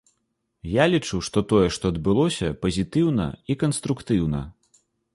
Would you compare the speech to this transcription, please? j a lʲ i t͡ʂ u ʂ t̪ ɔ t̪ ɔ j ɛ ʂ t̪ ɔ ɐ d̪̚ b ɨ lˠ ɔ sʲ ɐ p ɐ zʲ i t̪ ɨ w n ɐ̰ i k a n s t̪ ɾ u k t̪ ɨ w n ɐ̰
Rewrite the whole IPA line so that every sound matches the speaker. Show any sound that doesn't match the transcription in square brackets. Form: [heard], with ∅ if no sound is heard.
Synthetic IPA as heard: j a lʲ i t͡ʂ u ʂ t̪ ɔ t̪ ɔ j ɛ ʂ t̪ ɔ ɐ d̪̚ b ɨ lˠ ɔ sʲ ɐ p ɐ zʲ i t̪ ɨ w n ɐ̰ i k [ɐ] n s t̪ ɾ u k t̪ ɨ w n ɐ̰